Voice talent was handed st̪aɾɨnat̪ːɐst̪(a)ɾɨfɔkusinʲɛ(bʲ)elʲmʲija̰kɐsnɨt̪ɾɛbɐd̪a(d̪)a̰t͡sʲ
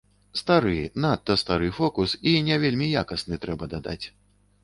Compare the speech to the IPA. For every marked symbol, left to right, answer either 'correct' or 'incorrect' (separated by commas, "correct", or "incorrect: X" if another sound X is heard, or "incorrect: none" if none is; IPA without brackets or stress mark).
correct, incorrect: vʲ, correct